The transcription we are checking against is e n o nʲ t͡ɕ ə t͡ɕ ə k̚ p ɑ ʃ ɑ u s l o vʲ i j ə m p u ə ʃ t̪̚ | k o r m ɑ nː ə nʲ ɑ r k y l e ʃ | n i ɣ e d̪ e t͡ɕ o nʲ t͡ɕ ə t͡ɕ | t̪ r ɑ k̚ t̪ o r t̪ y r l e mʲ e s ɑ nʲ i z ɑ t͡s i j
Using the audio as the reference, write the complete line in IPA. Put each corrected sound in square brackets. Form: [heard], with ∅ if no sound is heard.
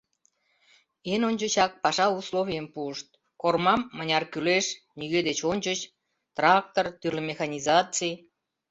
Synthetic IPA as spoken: e n o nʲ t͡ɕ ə t͡ɕ [ɑ] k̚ p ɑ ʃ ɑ u s l o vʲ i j ə m p u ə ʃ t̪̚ | k o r m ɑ [mː] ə nʲ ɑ r k y l e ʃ | n i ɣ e d̪ e t͡ɕ o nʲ t͡ɕ ə t͡ɕ | t̪ r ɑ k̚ t̪ o r t̪ y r l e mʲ e [x] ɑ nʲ i z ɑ t͡s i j